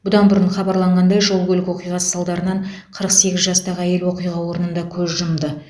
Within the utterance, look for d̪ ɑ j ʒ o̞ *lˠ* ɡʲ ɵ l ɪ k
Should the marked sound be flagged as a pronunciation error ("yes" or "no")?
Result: no